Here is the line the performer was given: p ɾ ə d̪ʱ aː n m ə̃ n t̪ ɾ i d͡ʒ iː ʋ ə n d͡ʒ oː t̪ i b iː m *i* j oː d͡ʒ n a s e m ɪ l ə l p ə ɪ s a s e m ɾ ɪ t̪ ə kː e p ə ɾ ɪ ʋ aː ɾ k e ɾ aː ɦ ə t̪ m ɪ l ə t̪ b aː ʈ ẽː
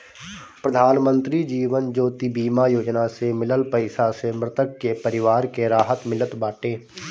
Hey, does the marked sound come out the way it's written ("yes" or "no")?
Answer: no